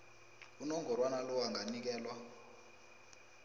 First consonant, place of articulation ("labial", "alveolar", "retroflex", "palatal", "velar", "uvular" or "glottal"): alveolar